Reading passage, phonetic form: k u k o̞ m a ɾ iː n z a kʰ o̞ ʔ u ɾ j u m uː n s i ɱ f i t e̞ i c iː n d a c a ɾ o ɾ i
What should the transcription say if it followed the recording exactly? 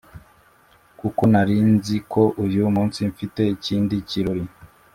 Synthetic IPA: k u k o̞ n a ɾ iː n z i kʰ o̞ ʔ u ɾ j u m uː n s i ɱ f i t e̞ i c iː n d i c i ɾ o ɾ i